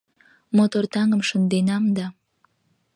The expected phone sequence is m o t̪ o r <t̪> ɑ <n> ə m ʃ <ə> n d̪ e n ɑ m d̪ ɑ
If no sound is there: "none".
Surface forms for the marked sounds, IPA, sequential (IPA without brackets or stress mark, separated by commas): t̪, ŋ, ə